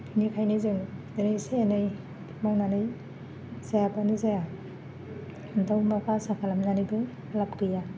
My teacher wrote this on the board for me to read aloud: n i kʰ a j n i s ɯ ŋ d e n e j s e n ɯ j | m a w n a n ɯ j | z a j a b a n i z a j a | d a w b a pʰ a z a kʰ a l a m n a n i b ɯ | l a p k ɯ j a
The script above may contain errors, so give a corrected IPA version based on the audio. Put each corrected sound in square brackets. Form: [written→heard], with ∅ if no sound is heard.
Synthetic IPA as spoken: n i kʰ a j n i [s→z] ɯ ŋ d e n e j s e n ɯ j | m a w n a n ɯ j | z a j a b a n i z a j a | d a w [b→m] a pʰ a [z→s] a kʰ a l a m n a n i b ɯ | l a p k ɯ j a